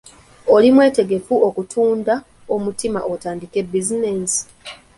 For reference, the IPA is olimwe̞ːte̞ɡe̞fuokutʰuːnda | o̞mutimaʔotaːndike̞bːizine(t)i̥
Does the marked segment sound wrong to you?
yes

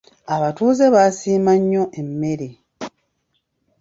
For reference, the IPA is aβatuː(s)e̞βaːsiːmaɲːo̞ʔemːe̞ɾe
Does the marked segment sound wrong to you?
yes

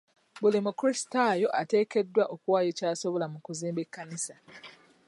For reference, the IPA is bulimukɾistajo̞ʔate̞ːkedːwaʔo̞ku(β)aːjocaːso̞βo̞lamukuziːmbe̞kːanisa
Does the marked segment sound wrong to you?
yes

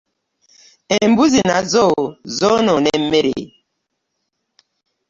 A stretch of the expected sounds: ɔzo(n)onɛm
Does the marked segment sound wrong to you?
no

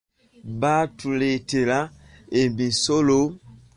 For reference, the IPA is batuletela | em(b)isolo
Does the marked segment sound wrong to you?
no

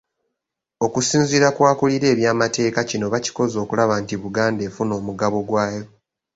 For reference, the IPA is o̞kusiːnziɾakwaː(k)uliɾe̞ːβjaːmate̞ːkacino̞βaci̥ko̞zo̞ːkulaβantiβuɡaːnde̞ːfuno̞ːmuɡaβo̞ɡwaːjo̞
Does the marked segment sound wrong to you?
no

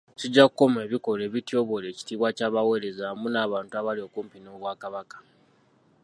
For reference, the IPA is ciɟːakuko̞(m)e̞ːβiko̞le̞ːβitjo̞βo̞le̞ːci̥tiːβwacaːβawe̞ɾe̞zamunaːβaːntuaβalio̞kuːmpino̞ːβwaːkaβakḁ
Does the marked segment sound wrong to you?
no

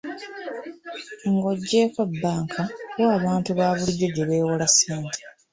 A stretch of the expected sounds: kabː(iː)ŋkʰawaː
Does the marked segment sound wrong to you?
yes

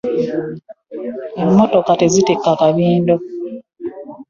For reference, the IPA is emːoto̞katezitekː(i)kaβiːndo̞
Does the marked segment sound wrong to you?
yes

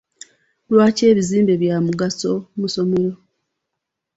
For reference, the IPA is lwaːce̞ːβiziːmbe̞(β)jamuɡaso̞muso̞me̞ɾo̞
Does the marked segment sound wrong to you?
no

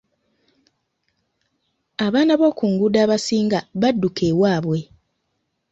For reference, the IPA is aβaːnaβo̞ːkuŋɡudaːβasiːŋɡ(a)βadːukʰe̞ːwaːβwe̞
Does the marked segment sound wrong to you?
no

